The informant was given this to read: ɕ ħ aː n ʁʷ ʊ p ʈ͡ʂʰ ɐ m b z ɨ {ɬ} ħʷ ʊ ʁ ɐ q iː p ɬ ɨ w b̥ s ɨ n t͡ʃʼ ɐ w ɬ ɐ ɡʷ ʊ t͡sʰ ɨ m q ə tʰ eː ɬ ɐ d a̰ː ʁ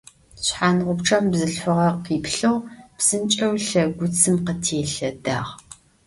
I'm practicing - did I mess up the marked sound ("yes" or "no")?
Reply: no